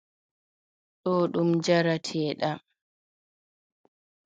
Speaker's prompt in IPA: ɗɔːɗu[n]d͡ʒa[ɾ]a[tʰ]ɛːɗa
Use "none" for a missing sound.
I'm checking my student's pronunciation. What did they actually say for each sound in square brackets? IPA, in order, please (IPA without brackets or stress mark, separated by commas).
m, ɾ, tʰ